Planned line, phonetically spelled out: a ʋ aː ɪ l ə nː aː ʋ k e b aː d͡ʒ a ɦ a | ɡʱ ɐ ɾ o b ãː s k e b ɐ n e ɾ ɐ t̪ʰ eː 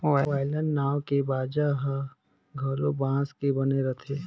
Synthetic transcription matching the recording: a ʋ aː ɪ l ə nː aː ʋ k e b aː d͡ʒ a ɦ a | ɡʱ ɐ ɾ o b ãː s k e b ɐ n e ɾ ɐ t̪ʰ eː